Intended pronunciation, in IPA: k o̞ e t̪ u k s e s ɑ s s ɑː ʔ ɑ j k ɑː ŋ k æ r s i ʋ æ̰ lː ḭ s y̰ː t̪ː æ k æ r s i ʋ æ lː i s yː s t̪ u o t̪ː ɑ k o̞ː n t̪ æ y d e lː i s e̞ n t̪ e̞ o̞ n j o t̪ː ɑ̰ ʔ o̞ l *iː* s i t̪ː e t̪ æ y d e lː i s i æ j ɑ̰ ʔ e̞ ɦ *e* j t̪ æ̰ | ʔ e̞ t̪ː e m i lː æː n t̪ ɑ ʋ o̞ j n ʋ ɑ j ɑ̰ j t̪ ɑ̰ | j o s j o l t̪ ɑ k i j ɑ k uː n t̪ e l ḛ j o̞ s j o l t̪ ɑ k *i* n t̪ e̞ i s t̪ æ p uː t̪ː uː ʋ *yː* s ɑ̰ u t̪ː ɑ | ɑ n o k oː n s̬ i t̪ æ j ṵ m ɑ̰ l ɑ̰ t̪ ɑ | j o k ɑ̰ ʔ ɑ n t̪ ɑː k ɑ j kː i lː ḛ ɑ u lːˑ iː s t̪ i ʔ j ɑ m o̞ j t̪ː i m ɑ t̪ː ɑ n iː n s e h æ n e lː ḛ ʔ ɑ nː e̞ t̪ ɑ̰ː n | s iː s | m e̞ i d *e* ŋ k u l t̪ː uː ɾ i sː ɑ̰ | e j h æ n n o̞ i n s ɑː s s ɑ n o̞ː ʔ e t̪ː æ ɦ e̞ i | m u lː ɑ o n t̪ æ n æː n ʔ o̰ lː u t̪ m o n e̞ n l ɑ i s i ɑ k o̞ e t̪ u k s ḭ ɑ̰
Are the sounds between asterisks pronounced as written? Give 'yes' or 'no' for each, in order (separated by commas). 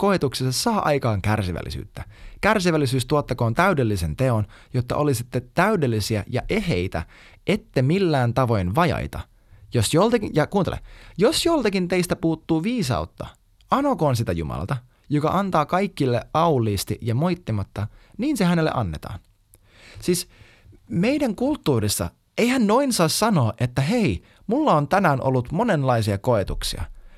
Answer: no, yes, yes, no, no